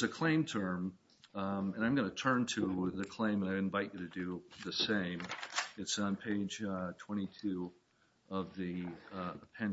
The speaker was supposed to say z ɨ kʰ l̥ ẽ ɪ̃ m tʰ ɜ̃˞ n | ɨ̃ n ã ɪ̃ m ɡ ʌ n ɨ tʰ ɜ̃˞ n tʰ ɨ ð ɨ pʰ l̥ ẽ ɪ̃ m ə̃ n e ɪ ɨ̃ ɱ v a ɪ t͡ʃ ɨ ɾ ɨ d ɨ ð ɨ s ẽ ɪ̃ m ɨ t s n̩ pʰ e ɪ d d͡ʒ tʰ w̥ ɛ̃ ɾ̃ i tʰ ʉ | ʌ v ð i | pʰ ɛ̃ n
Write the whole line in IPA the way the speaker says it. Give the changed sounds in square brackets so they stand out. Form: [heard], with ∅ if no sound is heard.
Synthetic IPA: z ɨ kʰ l̥ ẽ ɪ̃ m tʰ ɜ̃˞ [m] | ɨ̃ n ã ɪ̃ m ɡ ʌ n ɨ tʰ ɜ̃˞ n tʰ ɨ ð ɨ [kʰ] l̥ ẽ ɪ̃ m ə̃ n [a] ɪ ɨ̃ ɱ v a ɪ t͡ʃ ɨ ɾ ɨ d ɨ ð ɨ s ẽ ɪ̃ m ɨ t s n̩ pʰ e ɪ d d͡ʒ tʰ w̥ ɛ̃ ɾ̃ i tʰ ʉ | ʌ v ð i | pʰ ɛ̃ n